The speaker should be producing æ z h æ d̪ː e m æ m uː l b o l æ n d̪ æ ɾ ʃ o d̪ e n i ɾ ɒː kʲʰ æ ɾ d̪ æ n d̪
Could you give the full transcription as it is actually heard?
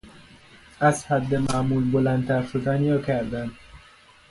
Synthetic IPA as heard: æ z h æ d̪ː e m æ m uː l b o l æ n t̪ æ ɾ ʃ o d̪ æ n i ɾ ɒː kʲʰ æ ɾ d̪ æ n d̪